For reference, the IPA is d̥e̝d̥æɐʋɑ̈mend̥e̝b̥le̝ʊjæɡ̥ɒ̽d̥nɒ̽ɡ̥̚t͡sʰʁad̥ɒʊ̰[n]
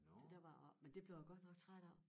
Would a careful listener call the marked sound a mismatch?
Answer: yes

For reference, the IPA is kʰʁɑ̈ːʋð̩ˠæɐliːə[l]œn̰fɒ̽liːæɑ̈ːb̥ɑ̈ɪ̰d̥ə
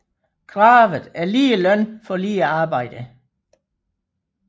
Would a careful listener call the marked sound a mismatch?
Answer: no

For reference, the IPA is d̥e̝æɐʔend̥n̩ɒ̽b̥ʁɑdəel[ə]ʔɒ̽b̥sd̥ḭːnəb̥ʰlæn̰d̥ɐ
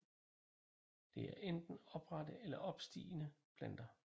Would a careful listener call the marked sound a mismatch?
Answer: yes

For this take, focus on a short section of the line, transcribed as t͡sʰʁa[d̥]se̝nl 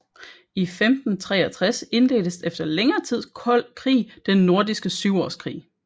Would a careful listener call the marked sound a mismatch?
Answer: yes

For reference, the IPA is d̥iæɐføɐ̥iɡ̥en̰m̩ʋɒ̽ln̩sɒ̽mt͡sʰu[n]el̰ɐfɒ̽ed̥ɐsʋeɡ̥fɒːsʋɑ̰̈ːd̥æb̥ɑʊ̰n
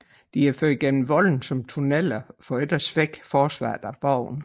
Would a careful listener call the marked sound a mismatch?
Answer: no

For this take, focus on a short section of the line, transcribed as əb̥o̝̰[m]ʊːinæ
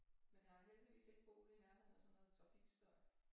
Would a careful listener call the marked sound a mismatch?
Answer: yes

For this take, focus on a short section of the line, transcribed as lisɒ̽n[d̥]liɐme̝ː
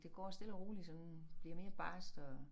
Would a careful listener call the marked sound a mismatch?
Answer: yes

